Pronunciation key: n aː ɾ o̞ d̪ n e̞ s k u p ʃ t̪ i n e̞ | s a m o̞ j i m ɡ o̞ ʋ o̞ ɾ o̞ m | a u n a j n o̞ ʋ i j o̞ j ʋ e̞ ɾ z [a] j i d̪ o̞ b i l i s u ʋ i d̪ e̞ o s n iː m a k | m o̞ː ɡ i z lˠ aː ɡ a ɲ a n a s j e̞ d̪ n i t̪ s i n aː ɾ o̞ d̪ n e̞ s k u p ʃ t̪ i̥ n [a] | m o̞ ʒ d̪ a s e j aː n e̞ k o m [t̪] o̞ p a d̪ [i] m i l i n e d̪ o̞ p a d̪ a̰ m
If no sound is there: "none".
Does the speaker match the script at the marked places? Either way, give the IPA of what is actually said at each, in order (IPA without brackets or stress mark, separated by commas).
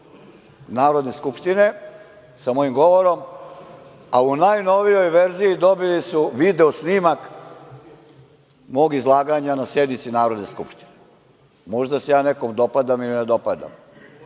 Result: i, e, d̪, a